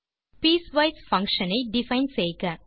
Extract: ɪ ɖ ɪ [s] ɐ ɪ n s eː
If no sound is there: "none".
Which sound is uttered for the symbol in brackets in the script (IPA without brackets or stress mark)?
f